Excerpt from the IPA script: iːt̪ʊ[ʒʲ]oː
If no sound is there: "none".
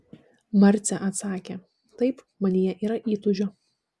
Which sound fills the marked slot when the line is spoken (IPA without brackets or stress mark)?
ʒʲ